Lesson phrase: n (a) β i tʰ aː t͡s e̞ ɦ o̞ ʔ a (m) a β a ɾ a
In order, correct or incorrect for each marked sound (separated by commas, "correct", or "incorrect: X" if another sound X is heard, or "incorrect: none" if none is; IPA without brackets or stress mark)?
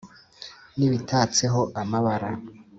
incorrect: i, correct